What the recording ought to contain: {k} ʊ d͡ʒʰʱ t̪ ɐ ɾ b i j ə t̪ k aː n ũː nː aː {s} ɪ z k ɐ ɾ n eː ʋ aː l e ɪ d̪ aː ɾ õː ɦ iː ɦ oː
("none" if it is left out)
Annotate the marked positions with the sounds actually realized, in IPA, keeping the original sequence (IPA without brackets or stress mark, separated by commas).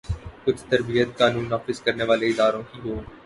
k, f